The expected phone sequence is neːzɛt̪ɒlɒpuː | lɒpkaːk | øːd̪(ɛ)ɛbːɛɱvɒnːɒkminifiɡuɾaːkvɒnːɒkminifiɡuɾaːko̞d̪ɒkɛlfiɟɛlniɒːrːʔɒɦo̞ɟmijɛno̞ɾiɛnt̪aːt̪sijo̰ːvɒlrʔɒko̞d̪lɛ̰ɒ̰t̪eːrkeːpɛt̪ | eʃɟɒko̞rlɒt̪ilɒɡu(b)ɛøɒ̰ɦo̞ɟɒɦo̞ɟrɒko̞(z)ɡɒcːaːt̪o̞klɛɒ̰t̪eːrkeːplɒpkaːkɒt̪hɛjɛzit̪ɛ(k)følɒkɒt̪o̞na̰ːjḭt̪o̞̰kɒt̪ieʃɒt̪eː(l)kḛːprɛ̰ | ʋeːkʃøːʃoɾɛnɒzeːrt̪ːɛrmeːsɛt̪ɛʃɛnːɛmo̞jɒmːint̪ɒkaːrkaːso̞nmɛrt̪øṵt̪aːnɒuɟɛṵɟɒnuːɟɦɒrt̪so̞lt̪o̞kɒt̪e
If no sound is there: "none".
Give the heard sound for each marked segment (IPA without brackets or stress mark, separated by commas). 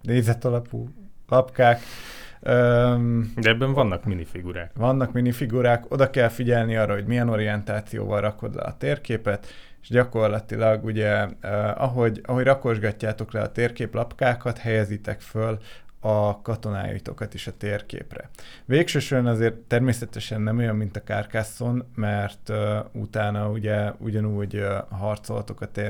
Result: ɛ, ɟ, ʒ, k, r